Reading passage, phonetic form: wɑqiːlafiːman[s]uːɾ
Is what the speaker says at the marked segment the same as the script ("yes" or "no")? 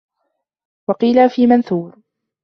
no